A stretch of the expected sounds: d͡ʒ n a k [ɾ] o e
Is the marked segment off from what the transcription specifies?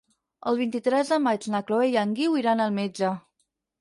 yes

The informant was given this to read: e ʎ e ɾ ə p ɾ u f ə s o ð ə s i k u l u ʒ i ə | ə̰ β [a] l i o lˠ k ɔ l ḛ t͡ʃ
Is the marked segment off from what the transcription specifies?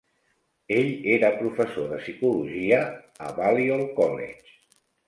no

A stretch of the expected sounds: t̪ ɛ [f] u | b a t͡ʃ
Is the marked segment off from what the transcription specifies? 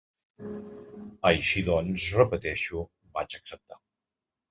yes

